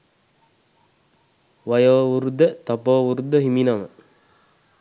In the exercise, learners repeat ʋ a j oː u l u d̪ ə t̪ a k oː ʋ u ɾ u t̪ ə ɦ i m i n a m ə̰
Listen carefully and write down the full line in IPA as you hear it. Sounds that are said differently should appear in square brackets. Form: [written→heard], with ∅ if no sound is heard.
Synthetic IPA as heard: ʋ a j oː u [l→ɾ] u d̪ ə t̪ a [k→p] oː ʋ u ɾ u [t̪→d̪] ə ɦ i m i n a m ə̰